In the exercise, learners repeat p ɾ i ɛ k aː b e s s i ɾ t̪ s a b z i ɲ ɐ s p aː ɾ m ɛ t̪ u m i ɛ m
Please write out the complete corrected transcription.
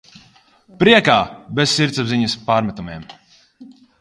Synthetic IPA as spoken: p ɾ i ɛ k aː b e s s i ɾ t̪ s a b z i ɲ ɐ s p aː ɾ m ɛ t̪ u m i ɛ m